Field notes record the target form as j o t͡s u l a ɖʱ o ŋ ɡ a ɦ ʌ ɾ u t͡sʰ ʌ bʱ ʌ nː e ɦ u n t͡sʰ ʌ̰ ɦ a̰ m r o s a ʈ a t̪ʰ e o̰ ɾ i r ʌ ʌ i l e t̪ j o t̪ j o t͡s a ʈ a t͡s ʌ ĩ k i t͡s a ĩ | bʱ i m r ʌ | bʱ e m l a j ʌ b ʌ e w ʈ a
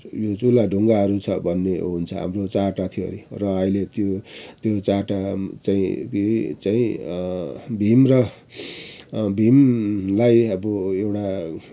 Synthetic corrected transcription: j o t͡s u l a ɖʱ u ŋ ɡ a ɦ ʌ ɾ u t͡sʰ ʌ bʱ ʌ nː e ɦ u n t͡sʰ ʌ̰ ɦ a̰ m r o t͡s a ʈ a t̪ʰ i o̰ ɾ i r ʌ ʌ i l e t̪ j o t̪ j o t͡s a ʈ a t͡s a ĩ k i t͡s a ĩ | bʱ i m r ʌ | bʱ i m l a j ʌ b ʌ e w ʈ a